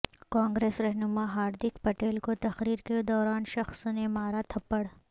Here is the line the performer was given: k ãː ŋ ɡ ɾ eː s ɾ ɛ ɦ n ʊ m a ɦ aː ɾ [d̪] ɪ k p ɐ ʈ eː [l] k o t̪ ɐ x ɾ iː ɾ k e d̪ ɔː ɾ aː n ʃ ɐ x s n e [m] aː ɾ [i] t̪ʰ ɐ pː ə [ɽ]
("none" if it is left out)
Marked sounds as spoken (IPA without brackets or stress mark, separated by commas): d̪, l, m, a, ɽ